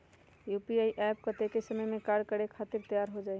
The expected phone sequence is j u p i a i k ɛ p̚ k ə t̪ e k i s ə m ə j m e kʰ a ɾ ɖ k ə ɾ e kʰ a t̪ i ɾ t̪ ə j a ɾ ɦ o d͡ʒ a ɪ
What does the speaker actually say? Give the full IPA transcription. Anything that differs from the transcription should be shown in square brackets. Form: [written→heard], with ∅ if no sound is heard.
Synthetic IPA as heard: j u p i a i [k→ʔ] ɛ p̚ k ə t̪ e k [i→e] s ə m ə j m e [kʰ→k] a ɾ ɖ k ə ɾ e kʰ a t̪ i ɾ t̪ ə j a ɾ ɦ o d͡ʒ a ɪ

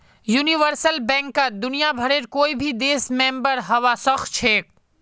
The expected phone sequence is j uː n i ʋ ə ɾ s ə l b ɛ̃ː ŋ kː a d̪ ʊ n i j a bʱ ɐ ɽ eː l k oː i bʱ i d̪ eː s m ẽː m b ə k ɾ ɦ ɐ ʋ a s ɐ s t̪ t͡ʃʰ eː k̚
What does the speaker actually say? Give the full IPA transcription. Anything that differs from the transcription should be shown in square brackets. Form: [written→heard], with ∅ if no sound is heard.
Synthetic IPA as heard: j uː n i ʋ ə ɾ s ə l b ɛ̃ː ŋ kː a d̪ ʊ n i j a bʱ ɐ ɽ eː [l→ɾ] k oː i bʱ i d̪ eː s m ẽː m b ə [k→∅] ɾ ɦ ɐ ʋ a s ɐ [s→x] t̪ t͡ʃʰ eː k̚

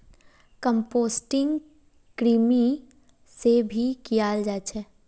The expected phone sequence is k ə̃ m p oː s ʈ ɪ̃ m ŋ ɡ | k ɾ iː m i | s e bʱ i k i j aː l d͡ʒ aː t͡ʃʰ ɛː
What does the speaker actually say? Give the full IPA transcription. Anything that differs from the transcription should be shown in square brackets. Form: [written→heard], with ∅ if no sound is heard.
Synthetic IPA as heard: k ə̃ m p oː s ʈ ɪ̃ [m→∅] ŋ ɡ | k ɾ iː m i | s e bʱ i k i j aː l d͡ʒ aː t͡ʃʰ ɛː

